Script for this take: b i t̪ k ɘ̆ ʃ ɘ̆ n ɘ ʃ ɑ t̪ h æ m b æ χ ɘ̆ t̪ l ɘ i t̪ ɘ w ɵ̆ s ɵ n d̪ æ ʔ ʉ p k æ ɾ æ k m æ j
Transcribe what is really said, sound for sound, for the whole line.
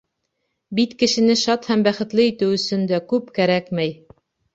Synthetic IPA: b i t̪ k ɘ̆ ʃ ɘ̆ n ɘ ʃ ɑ t̪ h æ m b æ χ ɘ̆ t̪ l ɘ i t̪ ɘ w ɵ̆ s ɵ n d̪ æ k ʉ p k æ ɾ æ k m æ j